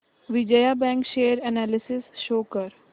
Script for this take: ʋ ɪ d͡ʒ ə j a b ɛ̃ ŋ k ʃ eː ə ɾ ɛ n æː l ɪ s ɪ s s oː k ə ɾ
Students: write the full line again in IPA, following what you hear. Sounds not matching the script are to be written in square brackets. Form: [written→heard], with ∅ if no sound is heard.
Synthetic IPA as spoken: ʋ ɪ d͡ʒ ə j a b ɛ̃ ŋ k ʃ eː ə ɾ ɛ n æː l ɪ s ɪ s [s→ʃ] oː k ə ɾ

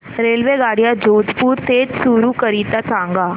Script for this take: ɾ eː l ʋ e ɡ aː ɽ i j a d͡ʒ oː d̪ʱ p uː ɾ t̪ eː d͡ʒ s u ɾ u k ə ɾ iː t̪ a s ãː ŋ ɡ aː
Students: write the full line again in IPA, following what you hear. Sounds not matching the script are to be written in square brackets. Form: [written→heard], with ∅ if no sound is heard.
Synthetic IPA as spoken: ɾ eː l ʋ e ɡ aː ɽ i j a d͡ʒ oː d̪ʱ p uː ɾ t̪ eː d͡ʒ s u ɾ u k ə ɾ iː t̪ a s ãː ŋ ɡ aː

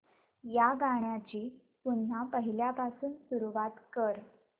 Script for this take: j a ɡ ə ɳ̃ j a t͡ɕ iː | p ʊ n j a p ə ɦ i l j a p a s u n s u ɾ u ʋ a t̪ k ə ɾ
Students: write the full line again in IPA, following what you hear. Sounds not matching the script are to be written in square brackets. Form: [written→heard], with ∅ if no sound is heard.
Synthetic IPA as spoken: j a ɡ [ə→a] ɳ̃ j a t͡ɕ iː | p [ʊ→u] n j a p ə ɦ i l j a p a s [u→uː] n s u ɾ u ʋ a t̪ k ə ɾ

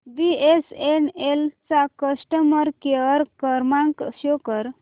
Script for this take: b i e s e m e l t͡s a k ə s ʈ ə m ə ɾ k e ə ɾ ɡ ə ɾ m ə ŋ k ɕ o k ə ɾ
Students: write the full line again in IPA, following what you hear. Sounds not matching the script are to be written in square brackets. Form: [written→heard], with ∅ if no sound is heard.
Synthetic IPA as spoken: b i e s e [m→n] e l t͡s a k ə s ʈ ə m ə ɾ k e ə ɾ [ɡ→k] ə ɾ m [ə→a] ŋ k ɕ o k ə ɾ

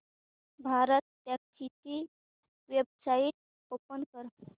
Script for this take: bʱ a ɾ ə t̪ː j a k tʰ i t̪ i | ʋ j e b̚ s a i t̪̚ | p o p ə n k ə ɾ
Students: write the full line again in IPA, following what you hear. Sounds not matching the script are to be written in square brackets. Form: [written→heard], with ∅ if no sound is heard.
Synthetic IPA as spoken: bʱ a ɾ ə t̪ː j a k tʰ i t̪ i | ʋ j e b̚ s a i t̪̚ | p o p ə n k ə ɾ

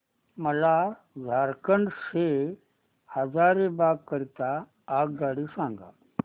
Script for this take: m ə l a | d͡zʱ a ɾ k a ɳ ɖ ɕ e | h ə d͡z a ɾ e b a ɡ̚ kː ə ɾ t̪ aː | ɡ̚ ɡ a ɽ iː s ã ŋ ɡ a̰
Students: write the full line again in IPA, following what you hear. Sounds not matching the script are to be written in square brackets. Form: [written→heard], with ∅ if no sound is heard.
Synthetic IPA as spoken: m ə l a | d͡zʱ a ɾ k [a→ə] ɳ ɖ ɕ e | h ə d͡z a ɾ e b a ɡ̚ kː ə ɾ t̪ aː | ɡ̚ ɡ a ɽ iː s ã ŋ ɡ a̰

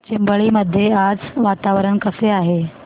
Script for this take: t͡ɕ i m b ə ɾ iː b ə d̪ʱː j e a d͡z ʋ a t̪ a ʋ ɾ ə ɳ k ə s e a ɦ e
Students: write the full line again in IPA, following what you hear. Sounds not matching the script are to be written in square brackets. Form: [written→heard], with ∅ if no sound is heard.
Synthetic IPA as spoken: t͡ɕ i m b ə [ɾ→ɭ] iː [b→m] ə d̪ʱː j e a d͡z ʋ a t̪ a ʋ ɾ ə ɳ k ə s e a ɦ e

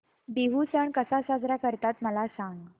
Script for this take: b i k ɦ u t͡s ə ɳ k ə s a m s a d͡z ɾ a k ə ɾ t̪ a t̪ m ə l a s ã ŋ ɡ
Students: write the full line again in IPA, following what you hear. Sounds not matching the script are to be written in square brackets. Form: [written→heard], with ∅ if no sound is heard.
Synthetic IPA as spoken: b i [k→∅] ɦ u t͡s ə ɳ k ə s a [m→∅] s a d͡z ɾ a k ə ɾ t̪ a t̪ m ə l a s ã ŋ ɡ

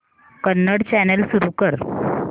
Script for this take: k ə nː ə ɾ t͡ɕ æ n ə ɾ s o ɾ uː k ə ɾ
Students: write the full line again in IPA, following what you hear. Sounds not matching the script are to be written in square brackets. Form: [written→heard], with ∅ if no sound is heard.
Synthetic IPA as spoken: k ə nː ə [ɾ→ɽ] t͡ɕ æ n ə [ɾ→l] s [o→u] ɾ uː k ə ɾ

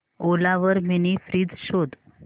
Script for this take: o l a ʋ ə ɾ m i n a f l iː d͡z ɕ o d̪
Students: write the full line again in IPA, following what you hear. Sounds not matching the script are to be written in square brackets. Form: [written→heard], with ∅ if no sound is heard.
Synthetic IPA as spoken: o l a ʋ ə ɾ m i n [a→i] f [l→ɾ] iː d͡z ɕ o d̪

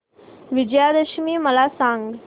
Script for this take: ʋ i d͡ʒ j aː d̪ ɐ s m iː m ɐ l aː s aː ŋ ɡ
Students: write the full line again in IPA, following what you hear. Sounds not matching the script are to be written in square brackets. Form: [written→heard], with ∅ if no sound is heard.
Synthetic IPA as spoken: ʋ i d͡ʒ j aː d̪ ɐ [s→ʃ] m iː m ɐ l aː s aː ŋ ɡ

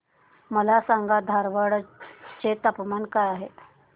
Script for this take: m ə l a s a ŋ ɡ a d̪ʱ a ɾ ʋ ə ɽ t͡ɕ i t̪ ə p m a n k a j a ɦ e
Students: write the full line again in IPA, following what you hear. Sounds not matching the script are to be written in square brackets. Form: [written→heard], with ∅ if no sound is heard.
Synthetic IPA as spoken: m ə l a s a ŋ ɡ a d̪ʱ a ɾ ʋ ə ɽ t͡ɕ [i→e] t̪ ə p m a n k a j a ɦ e

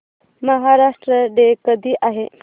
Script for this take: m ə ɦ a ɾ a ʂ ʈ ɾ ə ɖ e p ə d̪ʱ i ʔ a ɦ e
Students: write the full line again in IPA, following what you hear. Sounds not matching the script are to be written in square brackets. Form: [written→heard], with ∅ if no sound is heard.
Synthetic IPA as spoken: m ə ɦ a ɾ a ʂ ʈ ɾ ə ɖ e [p→k] ə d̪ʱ [i→iː] ʔ a ɦ e

